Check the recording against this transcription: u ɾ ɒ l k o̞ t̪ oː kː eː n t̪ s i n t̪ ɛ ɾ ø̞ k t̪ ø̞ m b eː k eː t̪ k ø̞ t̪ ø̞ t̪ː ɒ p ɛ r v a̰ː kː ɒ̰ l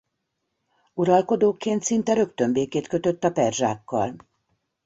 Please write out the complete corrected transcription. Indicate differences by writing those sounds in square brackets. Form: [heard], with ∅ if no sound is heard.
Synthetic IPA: u ɾ ɒ l k o̞ [d̪] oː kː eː n t̪ s i n t̪ ɛ ɾ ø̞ k t̪ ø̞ m b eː k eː t̪ k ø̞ t̪ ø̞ t̪ː ɒ p ɛ r [ʒ] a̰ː kː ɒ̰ l

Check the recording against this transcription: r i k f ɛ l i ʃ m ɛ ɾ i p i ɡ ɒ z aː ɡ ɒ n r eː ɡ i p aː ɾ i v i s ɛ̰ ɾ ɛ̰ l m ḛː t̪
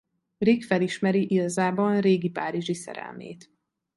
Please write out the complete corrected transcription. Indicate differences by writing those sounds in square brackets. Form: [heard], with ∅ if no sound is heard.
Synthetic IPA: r i k f ɛ l i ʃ m ɛ ɾ i [ʔ] i ɡ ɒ z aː [b] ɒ n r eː ɡ i p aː ɾ i [ʒ] i s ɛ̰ ɾ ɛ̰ l m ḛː t̪

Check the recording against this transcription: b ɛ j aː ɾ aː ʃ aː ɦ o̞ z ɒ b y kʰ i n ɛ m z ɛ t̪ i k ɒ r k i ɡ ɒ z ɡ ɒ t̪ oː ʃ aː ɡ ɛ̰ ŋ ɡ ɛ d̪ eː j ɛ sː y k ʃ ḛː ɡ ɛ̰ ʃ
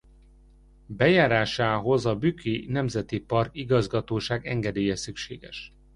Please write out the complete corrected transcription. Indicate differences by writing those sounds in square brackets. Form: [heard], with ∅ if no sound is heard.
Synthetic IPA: b ɛ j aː ɾ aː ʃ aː ɦ o̞ z ɒ b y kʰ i n ɛ m z ɛ t̪ i [p] ɒ r k i ɡ ɒ z ɡ ɒ t̪ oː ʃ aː ɡ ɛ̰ ŋ ɡ ɛ d̪ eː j ɛ [s] y k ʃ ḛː ɡ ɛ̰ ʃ

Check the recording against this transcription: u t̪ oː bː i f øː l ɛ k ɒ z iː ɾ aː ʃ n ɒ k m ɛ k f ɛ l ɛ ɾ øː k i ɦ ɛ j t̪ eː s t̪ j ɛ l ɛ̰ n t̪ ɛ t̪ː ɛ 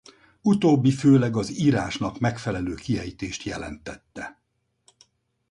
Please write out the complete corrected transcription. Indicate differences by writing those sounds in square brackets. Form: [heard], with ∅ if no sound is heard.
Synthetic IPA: u t̪ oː bː i f øː l ɛ [ɡ] ɒ z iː ɾ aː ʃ n ɒ k m ɛ k f ɛ l ɛ [l] øː k i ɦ ɛ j t̪ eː [ʃ] t̪ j ɛ l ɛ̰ n t̪ ɛ t̪ː ɛ

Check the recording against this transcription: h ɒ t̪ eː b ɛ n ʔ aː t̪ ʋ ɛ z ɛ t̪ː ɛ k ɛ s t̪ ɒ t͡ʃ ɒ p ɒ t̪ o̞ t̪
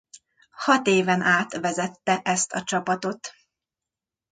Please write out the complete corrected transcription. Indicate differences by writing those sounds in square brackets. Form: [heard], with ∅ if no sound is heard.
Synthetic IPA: h ɒ t̪ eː [v] ɛ n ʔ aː t̪ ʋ ɛ z ɛ t̪ː ɛ [ʔ] ɛ s t̪ ɒ t͡ʃ ɒ p ɒ t̪ o̞ t̪

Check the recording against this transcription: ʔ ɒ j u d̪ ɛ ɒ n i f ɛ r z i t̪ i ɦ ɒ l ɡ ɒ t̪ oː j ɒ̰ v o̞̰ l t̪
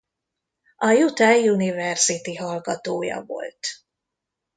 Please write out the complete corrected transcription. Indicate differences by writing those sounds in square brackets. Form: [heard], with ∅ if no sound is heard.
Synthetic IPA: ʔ ɒ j u [t̪] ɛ [u] n i [v] ɛ r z i t̪ i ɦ ɒ l ɡ ɒ t̪ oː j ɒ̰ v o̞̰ l t̪

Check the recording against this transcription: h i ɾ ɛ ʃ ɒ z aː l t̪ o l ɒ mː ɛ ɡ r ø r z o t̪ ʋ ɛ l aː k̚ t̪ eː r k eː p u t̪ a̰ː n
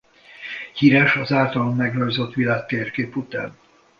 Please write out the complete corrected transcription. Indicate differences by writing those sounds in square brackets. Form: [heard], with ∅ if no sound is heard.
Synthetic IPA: h i ɾ ɛ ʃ ɒ z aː l t̪ [ɒ] l [o] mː ɛ ɡ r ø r z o t̪ ʋ [i] l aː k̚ t̪ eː r k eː p u t̪ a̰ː n

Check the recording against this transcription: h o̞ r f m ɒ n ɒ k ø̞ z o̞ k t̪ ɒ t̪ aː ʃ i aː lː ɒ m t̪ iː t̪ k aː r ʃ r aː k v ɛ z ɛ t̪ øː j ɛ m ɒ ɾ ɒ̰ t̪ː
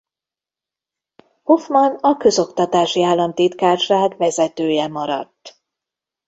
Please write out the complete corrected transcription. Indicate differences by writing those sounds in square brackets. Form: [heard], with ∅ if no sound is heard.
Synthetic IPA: h o̞ [∅] f m ɒ n ɒ k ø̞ z o̞ k t̪ ɒ t̪ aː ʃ i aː lː ɒ m t̪ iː t̪ k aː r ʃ r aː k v ɛ z ɛ t̪ øː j ɛ m ɒ ɾ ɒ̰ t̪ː

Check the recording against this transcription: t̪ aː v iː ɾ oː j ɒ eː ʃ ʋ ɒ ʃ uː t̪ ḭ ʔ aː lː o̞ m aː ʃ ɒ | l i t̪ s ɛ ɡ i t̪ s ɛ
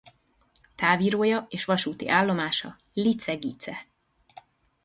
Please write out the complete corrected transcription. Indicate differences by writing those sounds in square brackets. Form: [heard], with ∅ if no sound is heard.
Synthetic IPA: t̪ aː v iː ɾ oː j ɒ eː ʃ ʋ ɒ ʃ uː t̪ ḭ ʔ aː lː o̞ m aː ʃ ɒ | l i t̪ s ɛ ɡ i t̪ s ɛ

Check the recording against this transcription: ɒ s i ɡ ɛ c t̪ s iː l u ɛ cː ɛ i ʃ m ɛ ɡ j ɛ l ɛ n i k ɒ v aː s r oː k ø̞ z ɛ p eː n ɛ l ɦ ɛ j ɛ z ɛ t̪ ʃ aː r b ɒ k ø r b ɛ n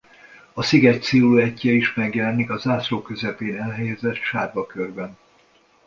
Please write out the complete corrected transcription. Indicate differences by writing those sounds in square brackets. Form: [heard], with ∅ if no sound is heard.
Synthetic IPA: ɒ s i ɡ ɛ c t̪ s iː l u ɛ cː ɛ i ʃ m ɛ ɡ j ɛ l ɛ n i k ɒ [z] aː s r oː k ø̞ z ɛ p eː n ɛ l ɦ ɛ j ɛ z ɛ t̪ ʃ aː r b ɒ k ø r b ɛ n

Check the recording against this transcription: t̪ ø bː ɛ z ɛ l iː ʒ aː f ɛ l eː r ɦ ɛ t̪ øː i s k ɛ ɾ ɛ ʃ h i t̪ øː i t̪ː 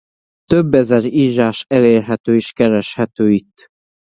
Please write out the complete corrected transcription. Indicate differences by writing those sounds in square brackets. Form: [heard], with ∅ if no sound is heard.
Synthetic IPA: t̪ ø bː ɛ z ɛ [ɾ] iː ʒ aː [ʃ] ɛ l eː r ɦ ɛ t̪ øː i [ʃ] k ɛ ɾ ɛ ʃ h [ɛ] t̪ øː i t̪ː

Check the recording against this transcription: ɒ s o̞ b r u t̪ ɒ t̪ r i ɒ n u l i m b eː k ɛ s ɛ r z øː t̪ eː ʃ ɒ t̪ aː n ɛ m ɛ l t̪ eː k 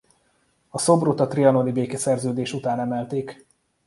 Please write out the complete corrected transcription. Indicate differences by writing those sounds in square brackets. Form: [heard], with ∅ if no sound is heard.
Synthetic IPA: ɒ s o̞ b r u t̪ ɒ t̪ r i ɒ n [o] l i [∅] b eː k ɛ s ɛ r z øː [d̪] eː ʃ [u] t̪ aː n ɛ m ɛ l t̪ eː k

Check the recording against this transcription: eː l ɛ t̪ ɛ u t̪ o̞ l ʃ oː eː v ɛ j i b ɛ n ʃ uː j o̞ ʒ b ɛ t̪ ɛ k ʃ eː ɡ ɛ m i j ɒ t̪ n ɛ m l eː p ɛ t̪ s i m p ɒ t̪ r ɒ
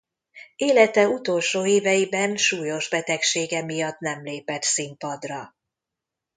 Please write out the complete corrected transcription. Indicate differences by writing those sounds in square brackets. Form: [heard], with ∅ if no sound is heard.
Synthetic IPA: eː l ɛ t̪ ɛ u t̪ o̞ l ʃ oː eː v ɛ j i b ɛ n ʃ uː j o̞ ʒ b ɛ t̪ ɛ k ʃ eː ɡ ɛ m i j ɒ t̪ n ɛ m l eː p ɛ t̪ s i m p ɒ [d̪] r ɒ

